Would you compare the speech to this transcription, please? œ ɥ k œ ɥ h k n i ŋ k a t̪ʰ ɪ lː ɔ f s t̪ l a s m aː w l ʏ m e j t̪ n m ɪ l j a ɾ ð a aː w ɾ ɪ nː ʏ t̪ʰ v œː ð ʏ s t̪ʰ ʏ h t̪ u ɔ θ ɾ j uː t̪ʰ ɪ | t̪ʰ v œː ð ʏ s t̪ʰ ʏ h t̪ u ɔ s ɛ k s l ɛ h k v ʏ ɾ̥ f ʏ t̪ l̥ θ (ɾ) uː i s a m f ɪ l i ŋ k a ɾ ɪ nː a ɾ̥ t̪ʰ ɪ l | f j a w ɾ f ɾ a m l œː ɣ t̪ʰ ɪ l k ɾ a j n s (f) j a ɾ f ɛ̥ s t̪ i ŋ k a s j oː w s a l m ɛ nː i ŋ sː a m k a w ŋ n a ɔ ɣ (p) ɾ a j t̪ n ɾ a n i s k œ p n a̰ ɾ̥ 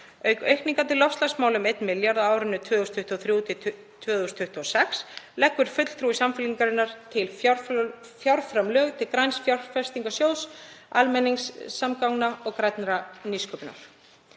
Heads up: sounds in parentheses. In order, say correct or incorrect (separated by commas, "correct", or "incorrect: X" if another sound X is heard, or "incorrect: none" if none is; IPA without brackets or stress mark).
correct, correct, incorrect: k